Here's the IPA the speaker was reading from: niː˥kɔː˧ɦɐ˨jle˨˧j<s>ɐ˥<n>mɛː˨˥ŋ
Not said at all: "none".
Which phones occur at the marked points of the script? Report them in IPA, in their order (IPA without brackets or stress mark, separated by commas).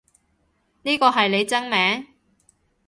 t͡s, ŋ